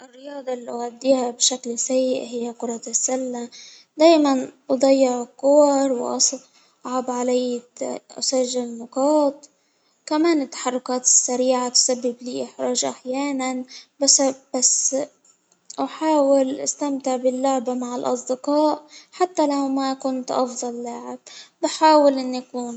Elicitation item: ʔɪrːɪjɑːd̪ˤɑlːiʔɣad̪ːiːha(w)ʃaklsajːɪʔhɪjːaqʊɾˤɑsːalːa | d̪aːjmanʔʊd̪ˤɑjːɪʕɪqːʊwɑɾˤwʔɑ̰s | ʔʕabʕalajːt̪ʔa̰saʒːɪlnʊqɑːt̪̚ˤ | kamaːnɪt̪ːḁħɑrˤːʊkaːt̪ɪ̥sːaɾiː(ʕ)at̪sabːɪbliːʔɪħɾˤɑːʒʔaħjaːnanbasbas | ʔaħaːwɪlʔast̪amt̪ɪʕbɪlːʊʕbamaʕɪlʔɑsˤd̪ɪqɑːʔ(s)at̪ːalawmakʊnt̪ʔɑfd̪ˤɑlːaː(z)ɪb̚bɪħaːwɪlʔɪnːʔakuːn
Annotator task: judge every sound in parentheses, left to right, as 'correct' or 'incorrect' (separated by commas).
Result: incorrect, correct, incorrect, incorrect